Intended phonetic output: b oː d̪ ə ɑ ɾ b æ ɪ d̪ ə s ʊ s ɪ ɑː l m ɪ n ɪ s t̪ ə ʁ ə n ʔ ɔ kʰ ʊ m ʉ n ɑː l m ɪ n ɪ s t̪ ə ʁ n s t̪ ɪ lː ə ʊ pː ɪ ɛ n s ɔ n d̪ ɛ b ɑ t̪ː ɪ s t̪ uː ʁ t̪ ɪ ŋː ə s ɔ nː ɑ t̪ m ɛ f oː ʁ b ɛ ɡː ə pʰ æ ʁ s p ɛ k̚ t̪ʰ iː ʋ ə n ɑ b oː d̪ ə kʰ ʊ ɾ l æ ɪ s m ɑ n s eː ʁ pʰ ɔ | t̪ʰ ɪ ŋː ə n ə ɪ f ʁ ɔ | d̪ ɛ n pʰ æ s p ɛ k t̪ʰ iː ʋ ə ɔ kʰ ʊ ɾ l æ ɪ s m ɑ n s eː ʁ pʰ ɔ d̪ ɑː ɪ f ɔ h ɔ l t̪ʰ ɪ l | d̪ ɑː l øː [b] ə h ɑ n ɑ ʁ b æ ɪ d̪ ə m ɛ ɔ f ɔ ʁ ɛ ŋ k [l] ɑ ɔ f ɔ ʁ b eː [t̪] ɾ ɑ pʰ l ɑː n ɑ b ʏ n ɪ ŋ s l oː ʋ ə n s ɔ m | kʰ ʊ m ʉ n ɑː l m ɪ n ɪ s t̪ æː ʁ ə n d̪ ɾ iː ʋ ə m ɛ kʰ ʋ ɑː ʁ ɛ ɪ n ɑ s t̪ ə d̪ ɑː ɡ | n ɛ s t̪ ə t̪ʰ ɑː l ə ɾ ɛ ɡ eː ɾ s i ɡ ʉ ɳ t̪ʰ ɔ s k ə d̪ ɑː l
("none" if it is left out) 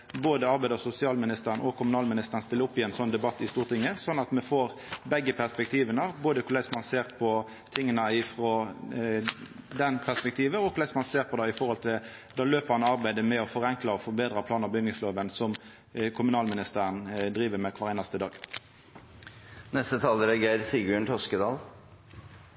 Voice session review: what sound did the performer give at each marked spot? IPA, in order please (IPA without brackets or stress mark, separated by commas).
p, l, d̪